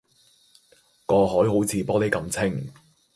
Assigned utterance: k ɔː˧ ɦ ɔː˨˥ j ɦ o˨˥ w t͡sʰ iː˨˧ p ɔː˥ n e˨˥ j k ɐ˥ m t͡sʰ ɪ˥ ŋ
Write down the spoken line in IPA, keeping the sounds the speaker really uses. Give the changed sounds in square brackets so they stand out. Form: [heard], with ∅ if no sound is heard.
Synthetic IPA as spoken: k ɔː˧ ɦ ɔː˨˥ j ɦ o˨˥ w t͡sʰ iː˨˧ p ɔː˥ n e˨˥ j k [ɐ˧] m t͡sʰ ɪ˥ ŋ